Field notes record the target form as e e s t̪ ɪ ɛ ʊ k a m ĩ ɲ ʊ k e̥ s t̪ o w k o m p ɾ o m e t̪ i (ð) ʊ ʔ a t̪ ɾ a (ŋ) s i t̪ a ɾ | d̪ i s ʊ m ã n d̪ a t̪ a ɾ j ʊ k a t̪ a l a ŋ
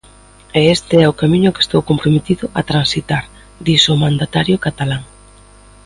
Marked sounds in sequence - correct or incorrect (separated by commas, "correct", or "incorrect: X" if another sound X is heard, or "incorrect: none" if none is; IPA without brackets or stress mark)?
correct, incorrect: n